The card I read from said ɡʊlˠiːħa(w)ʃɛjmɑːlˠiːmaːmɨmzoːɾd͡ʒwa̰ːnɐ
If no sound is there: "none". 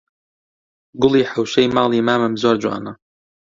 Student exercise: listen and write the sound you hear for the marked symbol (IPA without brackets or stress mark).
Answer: w